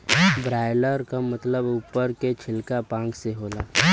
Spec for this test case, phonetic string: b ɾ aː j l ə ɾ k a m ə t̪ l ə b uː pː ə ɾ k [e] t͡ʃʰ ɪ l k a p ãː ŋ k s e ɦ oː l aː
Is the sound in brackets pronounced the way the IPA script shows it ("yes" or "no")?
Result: yes